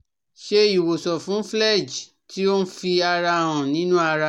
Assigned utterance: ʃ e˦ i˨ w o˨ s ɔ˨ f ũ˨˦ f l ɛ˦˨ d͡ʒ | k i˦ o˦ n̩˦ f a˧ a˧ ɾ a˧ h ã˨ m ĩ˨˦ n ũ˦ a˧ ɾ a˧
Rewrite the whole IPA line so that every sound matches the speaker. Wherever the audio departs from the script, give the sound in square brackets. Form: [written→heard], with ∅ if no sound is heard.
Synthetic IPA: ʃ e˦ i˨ w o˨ s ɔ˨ f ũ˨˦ f l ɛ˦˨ d͡ʒ | [k→t] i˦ o˦ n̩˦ f [a˧→i˧] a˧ ɾ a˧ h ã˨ [m→n] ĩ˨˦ n ũ˦ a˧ ɾ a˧